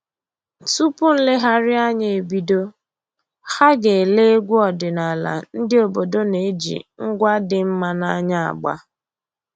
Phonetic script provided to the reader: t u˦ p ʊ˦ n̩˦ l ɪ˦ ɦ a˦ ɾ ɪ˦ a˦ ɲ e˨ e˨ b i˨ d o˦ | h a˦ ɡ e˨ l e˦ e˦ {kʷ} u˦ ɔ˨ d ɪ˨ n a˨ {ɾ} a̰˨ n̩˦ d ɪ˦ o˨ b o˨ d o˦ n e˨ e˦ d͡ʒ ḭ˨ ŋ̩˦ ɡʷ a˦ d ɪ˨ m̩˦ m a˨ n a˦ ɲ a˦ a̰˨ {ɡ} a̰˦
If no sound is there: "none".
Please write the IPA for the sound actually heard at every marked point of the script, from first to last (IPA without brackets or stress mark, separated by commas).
ɡʷ, l, ɡ͡b